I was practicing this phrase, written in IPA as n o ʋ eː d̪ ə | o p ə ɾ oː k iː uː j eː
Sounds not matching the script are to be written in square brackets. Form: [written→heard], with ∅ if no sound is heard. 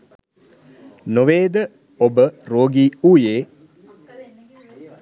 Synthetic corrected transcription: n o ʋ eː d̪ ə | o [p→b] ə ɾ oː [k→ɡ] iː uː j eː